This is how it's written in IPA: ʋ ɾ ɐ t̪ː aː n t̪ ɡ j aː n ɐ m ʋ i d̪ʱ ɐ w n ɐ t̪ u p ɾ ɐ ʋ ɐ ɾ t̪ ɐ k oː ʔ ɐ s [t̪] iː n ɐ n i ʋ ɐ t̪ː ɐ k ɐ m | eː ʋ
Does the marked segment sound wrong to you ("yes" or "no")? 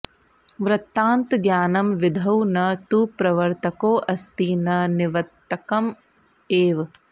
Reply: no